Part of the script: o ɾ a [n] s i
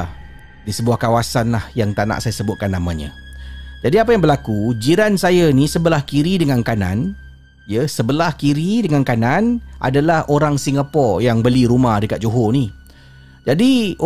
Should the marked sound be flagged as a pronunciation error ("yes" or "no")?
yes